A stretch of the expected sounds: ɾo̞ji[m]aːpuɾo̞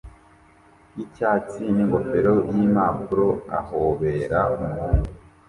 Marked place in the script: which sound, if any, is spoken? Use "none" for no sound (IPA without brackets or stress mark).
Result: m